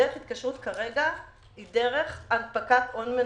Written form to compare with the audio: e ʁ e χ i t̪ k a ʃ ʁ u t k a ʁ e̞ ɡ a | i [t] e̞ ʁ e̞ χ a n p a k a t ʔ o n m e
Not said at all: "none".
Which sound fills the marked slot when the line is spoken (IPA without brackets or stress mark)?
d